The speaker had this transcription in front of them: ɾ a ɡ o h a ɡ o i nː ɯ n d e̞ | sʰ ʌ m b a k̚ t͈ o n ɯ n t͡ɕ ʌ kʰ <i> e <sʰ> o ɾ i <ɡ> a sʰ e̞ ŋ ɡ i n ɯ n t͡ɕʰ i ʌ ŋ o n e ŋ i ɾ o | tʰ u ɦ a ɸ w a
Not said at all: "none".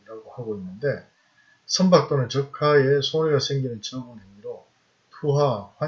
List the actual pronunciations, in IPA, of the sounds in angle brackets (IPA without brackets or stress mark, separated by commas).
a, sʰ, ɡ